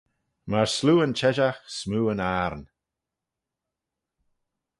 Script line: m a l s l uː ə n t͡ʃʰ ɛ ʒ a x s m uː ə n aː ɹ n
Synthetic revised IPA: m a ɹ s l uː ə n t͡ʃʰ ɛ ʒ a x s m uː ə n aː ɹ n